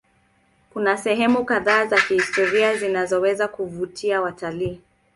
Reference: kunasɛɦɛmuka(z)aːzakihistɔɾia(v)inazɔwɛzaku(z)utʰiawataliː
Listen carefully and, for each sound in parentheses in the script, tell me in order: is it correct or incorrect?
incorrect, incorrect, incorrect

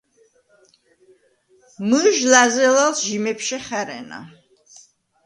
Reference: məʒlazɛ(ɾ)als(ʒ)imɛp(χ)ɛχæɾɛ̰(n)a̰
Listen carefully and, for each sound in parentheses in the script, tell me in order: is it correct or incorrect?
incorrect, correct, incorrect, correct

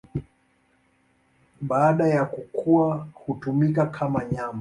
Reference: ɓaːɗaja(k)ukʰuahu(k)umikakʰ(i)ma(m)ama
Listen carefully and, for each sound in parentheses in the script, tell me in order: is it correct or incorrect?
correct, incorrect, incorrect, incorrect

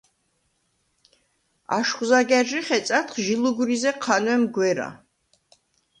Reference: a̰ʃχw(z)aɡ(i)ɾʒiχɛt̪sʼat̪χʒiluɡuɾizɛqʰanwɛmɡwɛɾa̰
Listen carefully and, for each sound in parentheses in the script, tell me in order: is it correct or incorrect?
correct, incorrect

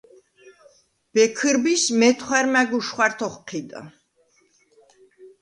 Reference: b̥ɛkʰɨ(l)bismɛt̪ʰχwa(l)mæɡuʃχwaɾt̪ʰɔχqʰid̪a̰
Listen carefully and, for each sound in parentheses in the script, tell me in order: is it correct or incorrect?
incorrect, incorrect

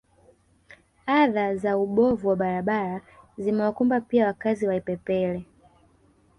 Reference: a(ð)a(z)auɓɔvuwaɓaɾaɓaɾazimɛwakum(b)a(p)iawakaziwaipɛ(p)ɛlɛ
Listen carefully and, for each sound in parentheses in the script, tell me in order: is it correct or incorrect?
correct, correct, correct, correct, correct

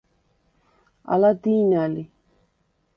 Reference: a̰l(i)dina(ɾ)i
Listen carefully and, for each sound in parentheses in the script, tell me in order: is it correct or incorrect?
incorrect, incorrect

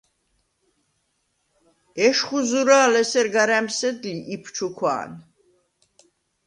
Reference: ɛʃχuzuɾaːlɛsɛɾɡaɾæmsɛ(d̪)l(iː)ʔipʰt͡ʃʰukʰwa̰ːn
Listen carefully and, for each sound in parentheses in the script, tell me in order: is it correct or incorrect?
correct, incorrect

